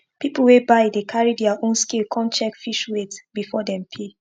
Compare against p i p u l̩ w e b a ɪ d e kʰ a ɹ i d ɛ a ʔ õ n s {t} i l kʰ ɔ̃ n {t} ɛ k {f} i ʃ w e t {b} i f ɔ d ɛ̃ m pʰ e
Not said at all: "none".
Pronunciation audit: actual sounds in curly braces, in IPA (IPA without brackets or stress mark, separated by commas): k, t͡ʃ, f, b